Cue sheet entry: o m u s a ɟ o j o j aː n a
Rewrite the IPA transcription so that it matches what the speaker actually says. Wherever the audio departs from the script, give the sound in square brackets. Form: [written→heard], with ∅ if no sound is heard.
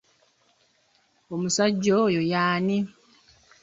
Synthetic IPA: o m u s a [ɟ→ɟː] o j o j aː n [a→i]